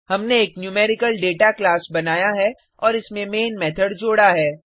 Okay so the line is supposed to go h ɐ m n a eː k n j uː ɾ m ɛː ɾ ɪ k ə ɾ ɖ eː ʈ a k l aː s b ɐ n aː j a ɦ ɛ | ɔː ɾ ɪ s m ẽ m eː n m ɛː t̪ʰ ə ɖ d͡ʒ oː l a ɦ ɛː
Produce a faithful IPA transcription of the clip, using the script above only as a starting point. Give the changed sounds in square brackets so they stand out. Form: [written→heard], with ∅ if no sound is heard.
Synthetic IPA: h ɐ m n [a→e] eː k n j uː [ɾ→∅] m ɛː ɾ ɪ k ə [ɾ→l] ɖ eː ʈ a k l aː s b ɐ n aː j a ɦ ɛ | ɔː ɾ ɪ s m ẽ m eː n m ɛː t̪ʰ ə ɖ d͡ʒ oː [l→ɽ] a ɦ ɛː